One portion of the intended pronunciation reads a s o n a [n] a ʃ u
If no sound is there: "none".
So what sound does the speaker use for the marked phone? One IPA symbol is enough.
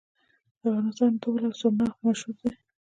m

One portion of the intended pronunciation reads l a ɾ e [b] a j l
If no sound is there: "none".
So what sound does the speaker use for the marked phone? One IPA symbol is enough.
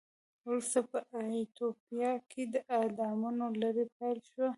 p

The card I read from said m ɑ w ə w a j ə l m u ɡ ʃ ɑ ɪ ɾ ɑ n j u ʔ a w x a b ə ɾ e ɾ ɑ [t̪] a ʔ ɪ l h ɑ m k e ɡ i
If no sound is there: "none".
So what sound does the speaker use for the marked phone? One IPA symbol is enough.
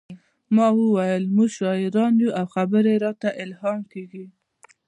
t̪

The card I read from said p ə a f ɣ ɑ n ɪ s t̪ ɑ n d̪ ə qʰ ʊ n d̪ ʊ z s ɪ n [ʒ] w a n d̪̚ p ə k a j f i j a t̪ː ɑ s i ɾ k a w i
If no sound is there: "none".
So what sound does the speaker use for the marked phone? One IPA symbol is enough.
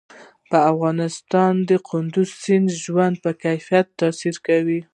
ʒ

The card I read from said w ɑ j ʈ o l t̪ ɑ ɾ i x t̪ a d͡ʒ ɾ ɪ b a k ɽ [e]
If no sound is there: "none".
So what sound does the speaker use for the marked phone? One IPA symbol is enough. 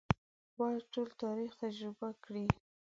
i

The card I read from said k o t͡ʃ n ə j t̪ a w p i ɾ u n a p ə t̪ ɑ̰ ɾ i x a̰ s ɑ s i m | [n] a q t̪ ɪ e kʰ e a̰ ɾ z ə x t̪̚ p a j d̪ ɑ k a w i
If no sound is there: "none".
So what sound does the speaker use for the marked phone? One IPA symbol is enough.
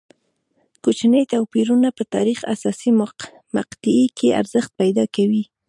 m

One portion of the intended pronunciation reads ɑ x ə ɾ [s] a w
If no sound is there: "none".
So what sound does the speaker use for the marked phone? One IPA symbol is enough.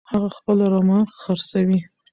s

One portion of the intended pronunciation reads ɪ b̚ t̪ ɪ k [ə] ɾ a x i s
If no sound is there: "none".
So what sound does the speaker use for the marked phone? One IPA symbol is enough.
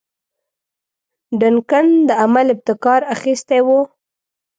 ɑ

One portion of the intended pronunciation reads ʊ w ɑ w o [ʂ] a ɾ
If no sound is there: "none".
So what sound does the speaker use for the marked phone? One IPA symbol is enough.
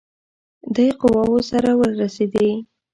s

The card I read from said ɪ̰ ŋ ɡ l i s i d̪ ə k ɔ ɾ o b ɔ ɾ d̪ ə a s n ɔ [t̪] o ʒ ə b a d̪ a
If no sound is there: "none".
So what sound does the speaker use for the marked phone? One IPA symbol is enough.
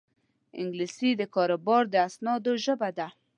d̪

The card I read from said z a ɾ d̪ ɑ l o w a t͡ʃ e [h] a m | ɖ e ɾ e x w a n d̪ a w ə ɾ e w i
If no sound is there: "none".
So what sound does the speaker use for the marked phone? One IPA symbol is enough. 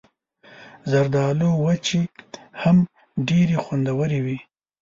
h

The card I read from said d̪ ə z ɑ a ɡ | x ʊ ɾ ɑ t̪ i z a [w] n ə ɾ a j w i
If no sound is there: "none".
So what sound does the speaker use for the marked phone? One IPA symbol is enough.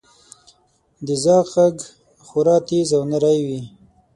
w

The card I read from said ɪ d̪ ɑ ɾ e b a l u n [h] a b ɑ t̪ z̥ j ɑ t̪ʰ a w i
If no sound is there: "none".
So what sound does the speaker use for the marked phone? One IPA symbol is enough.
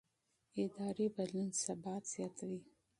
s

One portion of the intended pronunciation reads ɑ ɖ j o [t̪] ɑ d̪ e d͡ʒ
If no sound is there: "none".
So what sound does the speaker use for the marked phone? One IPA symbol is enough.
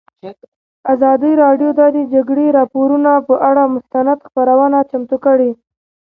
d̪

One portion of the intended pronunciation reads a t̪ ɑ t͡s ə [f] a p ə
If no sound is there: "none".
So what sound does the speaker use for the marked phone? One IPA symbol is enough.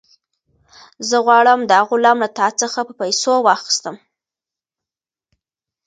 x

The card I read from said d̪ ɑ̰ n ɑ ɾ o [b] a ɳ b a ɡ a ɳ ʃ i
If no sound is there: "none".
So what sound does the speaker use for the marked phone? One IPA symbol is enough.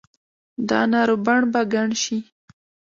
b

